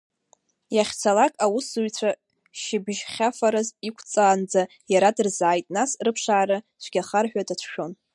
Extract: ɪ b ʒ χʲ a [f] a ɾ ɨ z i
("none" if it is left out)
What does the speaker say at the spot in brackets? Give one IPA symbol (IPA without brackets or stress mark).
f